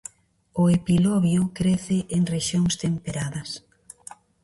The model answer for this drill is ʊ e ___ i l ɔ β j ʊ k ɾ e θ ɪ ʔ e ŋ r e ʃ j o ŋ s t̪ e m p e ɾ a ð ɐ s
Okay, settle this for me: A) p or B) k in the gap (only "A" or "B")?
A